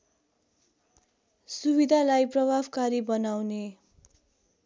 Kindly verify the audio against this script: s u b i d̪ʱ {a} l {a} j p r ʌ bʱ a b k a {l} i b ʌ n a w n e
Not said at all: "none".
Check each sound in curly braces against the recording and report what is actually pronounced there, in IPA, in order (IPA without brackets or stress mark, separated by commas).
a, a, ɾ